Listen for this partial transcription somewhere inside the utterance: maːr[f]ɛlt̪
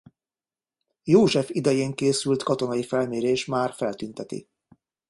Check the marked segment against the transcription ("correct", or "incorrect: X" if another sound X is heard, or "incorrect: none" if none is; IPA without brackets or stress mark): correct